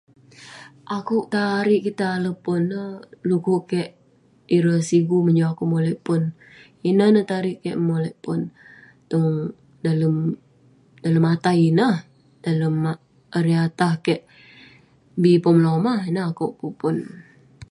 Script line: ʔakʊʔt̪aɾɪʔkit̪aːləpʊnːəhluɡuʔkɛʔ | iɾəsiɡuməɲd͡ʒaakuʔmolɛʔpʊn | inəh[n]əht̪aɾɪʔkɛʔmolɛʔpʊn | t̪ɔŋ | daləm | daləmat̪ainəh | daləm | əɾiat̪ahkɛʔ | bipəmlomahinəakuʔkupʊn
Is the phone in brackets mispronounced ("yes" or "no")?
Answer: no